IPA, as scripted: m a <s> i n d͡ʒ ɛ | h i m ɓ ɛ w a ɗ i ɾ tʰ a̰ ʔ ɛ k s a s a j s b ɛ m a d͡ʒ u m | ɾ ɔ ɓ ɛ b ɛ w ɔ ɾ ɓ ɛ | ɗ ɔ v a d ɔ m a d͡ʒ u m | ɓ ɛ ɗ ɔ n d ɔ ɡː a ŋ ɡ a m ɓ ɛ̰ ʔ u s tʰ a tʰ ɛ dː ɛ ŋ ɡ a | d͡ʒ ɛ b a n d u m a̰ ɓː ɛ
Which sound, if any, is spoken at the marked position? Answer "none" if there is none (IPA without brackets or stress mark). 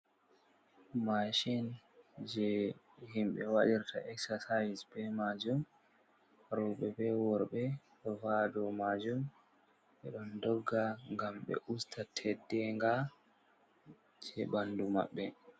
ʃ